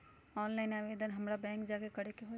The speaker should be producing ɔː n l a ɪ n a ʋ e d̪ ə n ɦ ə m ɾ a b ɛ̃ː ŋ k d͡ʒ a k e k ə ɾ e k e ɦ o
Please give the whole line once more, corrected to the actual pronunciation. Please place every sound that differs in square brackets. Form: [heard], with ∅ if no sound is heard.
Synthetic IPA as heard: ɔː n l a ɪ n a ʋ e d̪ ə n ɦ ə m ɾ a b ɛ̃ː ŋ k d͡ʒ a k e k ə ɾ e k e ɦ o